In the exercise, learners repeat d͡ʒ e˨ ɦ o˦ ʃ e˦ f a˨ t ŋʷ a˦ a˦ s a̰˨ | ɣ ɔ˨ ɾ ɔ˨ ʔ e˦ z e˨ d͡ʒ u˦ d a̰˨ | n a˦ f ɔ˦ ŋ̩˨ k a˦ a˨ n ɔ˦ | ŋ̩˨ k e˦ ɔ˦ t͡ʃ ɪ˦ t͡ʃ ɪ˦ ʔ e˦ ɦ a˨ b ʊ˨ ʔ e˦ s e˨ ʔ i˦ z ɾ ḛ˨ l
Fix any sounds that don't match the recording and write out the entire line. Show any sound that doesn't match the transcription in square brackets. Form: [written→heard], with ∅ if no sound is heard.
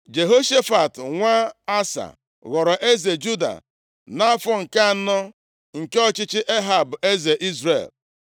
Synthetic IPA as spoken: d͡ʒ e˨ ɦ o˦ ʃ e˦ f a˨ t ŋʷ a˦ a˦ s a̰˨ | ɣ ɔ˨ ɾ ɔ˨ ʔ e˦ z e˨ d͡ʒ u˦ d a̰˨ | n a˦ f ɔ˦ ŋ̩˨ k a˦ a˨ n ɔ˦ | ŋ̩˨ k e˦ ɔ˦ t͡ʃ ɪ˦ t͡ʃ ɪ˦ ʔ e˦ ɦ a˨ b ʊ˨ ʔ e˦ [s→z] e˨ ʔ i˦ z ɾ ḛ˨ l

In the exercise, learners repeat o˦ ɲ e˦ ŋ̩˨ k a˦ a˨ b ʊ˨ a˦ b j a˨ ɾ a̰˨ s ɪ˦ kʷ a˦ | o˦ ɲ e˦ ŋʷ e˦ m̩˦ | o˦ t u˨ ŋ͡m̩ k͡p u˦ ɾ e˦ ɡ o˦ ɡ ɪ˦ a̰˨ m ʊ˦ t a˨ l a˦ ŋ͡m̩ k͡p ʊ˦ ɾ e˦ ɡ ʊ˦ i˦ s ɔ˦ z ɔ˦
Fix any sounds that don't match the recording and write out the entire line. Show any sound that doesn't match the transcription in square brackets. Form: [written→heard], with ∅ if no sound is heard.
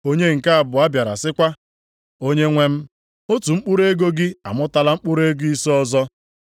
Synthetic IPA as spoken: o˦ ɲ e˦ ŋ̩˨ k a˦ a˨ b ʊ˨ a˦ b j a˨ ɾ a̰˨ s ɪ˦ kʷ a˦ | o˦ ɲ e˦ ŋʷ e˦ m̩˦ | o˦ t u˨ ŋ͡m̩ k͡p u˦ ɾ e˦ ɡ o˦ ɡ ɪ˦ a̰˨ m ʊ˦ t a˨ l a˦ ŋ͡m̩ k͡p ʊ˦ ɾ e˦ ɡ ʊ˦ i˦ s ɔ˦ z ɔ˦

